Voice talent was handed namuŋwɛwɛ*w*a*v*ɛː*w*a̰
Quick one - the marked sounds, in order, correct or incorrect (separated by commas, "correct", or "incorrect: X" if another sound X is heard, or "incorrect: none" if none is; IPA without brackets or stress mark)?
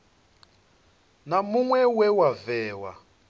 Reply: correct, correct, correct